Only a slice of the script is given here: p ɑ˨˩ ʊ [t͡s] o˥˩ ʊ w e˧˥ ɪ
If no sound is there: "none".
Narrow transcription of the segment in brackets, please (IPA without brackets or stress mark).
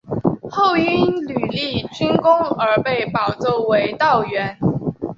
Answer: t͡s